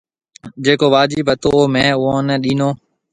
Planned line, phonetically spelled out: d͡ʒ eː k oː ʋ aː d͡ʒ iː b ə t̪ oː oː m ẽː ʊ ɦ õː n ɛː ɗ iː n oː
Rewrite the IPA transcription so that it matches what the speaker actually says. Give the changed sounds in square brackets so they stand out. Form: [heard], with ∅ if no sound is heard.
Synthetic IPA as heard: d͡ʒ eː k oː ʋ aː d͡ʒ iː b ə t̪ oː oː m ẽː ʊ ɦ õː n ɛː ɗ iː n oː